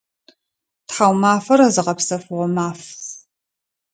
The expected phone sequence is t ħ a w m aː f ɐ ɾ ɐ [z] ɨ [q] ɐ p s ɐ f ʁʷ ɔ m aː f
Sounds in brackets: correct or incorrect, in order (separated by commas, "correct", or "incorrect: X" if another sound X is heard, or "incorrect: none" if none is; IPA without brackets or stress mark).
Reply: correct, correct